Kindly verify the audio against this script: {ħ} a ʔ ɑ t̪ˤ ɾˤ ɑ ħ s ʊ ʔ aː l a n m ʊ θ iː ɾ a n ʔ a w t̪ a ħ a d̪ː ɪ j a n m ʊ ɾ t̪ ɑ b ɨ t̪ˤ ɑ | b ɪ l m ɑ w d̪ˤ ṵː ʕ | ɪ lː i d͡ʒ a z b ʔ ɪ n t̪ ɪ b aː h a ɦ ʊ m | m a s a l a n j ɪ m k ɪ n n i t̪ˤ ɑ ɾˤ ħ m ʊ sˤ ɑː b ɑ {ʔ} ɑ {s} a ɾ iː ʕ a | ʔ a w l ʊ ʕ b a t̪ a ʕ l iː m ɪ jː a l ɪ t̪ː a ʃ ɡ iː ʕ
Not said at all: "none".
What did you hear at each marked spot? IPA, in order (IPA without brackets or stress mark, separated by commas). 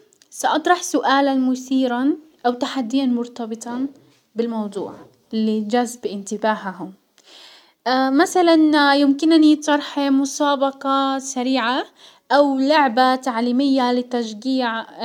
s, q, s